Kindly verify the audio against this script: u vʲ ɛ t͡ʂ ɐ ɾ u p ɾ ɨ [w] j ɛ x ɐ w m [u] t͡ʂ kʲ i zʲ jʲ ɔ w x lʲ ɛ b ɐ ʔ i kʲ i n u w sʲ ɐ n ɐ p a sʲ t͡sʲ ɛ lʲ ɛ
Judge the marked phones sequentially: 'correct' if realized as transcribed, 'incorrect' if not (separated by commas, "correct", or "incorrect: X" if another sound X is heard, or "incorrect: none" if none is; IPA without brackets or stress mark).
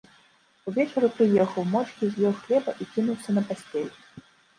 incorrect: none, incorrect: ɔ